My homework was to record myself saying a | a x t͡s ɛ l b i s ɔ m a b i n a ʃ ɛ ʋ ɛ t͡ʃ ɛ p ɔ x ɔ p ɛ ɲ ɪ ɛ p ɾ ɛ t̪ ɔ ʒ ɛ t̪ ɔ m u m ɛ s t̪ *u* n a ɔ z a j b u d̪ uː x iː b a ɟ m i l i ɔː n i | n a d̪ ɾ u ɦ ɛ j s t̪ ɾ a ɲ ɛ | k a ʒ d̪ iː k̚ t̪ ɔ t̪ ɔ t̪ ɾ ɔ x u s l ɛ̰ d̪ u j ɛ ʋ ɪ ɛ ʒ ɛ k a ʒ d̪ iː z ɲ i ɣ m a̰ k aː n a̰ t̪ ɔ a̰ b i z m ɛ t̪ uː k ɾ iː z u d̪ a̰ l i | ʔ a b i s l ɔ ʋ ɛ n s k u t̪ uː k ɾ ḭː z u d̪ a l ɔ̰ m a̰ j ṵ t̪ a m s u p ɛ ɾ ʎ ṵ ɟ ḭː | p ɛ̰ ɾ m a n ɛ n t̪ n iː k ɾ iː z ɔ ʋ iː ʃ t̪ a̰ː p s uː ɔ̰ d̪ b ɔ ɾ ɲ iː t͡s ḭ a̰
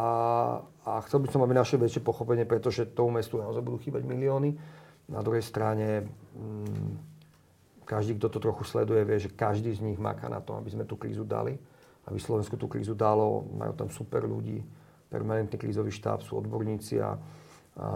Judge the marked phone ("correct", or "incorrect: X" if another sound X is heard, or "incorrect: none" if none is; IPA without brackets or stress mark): correct